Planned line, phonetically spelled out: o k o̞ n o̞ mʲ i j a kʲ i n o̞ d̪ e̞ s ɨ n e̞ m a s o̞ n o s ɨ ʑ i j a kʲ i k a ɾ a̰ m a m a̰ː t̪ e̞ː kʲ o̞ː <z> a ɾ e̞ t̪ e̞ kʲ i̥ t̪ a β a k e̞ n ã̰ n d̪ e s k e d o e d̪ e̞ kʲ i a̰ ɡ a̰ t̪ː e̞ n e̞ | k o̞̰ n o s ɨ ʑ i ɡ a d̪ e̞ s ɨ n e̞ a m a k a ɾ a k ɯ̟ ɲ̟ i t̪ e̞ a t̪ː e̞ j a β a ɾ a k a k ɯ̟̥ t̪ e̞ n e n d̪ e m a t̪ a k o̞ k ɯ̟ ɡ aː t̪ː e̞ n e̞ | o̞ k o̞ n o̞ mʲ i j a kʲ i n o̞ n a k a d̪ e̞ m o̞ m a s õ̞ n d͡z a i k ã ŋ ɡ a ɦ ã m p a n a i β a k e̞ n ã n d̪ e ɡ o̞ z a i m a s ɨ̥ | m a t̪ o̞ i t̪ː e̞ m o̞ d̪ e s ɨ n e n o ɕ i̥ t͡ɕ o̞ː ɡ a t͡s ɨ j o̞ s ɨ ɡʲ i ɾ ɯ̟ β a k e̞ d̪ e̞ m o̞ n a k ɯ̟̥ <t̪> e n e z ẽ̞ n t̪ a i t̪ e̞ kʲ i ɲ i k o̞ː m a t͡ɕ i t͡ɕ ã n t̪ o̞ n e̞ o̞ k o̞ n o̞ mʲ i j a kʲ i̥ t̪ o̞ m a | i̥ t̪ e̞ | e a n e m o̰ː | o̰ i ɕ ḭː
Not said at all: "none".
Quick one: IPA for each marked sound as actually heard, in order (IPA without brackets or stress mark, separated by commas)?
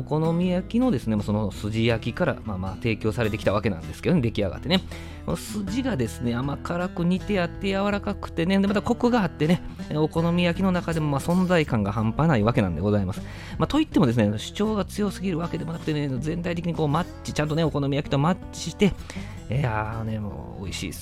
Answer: s, t̪